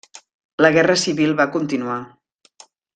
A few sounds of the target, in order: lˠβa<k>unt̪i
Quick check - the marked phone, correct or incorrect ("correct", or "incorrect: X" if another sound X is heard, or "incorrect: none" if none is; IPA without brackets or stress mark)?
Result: correct